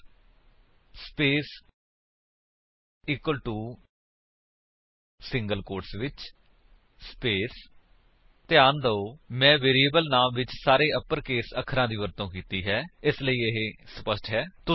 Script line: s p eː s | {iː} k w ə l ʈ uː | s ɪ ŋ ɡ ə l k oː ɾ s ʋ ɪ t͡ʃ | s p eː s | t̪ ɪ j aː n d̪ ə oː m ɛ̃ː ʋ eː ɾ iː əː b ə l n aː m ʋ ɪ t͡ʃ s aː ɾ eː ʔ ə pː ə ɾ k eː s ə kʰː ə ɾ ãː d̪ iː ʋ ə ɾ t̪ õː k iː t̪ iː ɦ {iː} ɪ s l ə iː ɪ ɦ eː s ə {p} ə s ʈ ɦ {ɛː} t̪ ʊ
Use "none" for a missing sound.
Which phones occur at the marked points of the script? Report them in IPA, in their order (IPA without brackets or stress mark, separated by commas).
iː, ɛː, p, ɛː